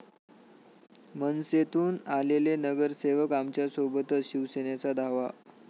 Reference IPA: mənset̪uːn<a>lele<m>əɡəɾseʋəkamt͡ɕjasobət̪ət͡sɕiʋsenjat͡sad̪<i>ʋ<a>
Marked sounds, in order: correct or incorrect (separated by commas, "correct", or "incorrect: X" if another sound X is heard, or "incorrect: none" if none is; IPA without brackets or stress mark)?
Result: correct, incorrect: n, incorrect: a, correct